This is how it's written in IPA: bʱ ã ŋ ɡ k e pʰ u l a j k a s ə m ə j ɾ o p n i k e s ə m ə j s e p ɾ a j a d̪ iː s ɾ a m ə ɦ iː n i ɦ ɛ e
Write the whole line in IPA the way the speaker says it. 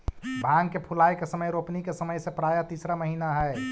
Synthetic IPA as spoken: bʱ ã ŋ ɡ k e pʰ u l a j k e s ə m ə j ɾ o p n i k e s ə m ə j s e p ɾ a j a t̪ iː s ɾ a m ə ɦ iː n a ɦ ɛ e